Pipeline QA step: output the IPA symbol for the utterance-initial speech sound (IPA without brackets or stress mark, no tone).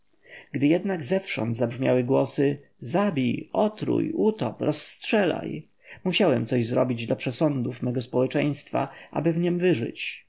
ɡ